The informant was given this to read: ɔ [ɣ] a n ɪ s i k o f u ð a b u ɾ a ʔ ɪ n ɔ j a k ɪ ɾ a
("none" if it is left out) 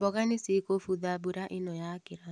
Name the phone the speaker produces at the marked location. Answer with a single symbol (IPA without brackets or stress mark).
ɣ